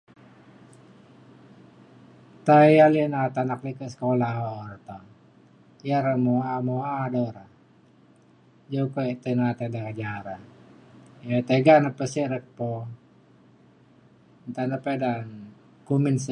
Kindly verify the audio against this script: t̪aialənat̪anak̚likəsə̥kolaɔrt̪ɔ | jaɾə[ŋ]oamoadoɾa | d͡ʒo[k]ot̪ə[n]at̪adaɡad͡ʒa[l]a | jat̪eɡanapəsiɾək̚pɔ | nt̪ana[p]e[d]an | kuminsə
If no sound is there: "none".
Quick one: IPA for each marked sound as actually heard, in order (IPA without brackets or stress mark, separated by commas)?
m, k, n, ɾ, p, d